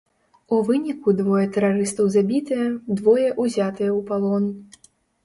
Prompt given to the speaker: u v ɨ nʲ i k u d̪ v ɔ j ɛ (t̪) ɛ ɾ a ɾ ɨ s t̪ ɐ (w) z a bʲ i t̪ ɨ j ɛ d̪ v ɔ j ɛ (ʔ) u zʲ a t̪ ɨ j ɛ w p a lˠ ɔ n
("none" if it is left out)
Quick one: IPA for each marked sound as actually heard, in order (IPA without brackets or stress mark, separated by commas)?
t̪, w, ʔ